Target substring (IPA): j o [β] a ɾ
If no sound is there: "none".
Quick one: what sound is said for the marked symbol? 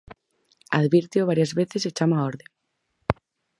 β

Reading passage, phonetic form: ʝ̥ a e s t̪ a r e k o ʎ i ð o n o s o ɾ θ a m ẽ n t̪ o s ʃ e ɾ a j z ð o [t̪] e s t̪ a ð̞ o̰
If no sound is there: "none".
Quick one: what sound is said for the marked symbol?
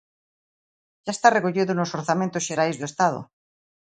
none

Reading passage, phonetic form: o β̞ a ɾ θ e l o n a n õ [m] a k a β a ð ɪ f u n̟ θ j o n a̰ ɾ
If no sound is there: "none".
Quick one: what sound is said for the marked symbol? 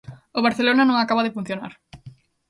ŋ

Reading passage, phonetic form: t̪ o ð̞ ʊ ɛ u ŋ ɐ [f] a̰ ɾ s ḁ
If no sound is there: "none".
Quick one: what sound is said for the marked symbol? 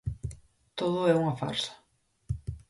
f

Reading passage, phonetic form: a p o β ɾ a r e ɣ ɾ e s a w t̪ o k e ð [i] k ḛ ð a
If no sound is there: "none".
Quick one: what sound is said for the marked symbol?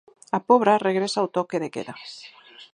e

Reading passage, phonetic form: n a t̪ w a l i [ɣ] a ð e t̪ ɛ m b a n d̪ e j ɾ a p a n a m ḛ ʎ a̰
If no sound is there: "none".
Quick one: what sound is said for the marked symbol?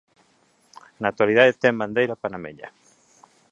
ð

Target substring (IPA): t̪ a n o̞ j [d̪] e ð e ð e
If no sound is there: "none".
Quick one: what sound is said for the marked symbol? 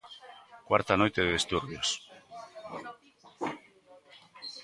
t̪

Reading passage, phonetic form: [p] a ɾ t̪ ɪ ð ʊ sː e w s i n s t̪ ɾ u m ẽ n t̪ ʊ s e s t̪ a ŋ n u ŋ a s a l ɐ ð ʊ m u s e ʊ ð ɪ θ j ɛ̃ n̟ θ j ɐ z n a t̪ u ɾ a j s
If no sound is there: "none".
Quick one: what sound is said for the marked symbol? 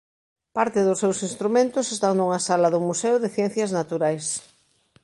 p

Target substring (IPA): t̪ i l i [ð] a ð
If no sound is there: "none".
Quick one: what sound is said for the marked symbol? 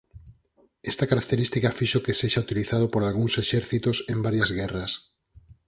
θ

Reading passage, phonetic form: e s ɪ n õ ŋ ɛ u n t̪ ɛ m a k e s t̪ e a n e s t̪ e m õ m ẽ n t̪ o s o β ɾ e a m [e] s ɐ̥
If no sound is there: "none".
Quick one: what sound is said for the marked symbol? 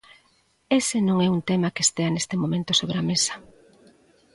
e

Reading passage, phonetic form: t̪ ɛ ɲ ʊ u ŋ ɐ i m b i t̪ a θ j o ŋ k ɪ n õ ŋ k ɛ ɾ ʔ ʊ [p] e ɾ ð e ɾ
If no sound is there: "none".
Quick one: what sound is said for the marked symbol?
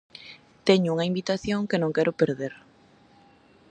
p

